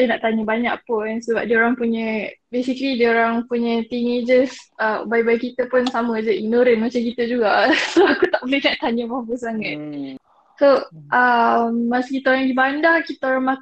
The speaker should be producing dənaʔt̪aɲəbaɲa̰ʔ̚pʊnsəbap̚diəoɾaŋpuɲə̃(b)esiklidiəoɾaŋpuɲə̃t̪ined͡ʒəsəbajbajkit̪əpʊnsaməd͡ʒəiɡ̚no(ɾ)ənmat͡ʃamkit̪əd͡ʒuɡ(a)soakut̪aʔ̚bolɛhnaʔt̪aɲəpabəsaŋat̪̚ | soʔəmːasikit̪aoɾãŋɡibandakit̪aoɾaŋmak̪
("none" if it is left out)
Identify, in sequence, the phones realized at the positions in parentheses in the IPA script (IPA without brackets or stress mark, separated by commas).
b, ɾ, a